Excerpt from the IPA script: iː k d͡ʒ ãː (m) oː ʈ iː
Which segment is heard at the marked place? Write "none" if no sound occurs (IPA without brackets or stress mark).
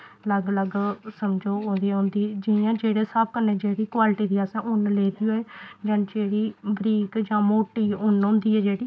m